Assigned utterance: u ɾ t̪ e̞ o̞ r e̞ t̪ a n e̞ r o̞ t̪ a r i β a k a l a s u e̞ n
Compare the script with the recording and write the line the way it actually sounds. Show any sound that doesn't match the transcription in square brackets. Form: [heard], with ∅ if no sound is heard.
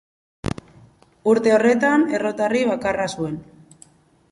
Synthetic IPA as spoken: u ɾ t̪ e̞ o̞ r e̞ t̪ a n e̞ r o̞ t̪ a r i β a k a [r] a s u e̞ n